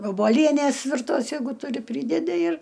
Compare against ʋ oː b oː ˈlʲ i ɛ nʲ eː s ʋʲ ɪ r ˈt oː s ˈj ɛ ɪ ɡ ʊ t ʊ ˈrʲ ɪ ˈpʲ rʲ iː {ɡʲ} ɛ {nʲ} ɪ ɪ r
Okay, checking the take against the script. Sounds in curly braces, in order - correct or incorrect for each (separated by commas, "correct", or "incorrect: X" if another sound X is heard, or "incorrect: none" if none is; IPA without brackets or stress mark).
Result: incorrect: dʲ, incorrect: dʲ